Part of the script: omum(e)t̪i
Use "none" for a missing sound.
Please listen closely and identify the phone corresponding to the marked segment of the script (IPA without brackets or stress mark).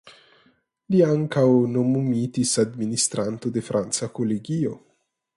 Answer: i